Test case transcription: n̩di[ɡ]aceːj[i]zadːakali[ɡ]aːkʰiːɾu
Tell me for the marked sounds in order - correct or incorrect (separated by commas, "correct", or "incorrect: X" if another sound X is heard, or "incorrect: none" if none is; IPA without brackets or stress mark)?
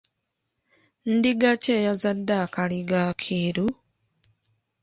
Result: correct, incorrect: a, correct